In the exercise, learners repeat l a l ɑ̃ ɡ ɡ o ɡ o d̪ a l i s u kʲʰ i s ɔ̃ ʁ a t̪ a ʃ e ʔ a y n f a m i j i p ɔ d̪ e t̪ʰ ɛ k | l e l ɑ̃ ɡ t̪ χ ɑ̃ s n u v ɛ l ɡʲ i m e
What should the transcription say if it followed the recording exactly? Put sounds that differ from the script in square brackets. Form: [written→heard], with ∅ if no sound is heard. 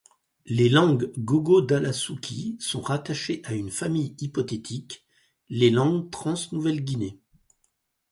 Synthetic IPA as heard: l [a→e] l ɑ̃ ɡ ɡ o ɡ o d̪ a l [i→a] s u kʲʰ i s ɔ̃ ʁ a t̪ a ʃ e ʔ a y n f a m i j i p ɔ [d̪→t̪] e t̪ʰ [ɛ→i] k | l e l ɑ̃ ɡ t̪ χ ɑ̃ s n u v ɛ l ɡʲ i [m→n] e